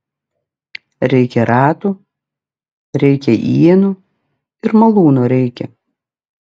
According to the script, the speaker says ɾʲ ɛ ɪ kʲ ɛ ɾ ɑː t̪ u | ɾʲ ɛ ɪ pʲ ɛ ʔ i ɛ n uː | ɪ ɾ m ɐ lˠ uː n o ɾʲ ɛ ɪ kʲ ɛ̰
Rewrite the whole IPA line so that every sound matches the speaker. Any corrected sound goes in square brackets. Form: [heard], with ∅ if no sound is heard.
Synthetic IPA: ɾʲ ɛ ɪ kʲ ɛ ɾ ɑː t̪ u | ɾʲ ɛ ɪ [kʲ] ɛ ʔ i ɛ n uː | ɪ ɾ m ɐ lˠ uː n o ɾʲ ɛ ɪ kʲ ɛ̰